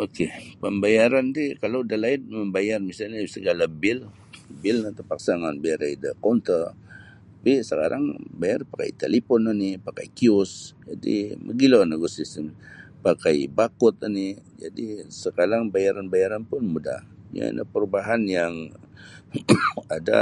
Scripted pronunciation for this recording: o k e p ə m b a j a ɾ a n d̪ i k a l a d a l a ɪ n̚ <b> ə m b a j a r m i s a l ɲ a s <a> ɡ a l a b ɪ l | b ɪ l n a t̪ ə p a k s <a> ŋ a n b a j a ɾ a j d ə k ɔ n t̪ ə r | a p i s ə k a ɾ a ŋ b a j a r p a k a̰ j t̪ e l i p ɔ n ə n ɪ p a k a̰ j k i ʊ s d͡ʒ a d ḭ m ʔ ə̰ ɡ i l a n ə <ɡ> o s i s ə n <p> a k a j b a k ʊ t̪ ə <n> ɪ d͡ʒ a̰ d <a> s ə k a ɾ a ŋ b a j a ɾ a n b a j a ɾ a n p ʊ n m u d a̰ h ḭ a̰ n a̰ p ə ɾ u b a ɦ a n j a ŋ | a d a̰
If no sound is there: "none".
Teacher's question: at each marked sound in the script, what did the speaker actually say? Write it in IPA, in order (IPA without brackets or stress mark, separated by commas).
m, ə, a, ɡ, p, n, i